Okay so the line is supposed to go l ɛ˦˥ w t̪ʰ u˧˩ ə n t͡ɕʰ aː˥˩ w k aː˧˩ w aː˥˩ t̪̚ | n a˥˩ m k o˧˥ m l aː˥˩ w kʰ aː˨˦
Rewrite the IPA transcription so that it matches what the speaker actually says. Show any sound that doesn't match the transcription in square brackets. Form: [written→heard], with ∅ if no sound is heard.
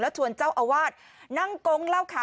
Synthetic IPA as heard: l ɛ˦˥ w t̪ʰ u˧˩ ə n [t͡ɕʰ→t͡ɕ] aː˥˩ w [k→ʔ] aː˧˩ w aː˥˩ t̪̚ | n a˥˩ [m→ŋ] k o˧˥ [m→ŋ] l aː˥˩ w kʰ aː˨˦